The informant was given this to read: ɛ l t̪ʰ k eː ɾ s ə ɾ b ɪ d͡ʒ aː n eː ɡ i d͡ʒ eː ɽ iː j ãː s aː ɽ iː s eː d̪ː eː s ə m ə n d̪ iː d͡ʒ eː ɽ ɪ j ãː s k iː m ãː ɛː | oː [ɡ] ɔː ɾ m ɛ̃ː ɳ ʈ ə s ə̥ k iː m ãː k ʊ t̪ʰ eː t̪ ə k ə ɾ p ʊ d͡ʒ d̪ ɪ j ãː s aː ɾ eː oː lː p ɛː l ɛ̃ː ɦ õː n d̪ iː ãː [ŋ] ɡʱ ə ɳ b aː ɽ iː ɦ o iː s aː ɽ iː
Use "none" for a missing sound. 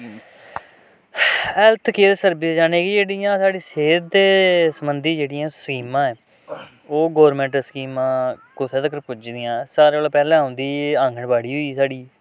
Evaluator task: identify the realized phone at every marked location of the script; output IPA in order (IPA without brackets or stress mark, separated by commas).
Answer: ɡ, ŋ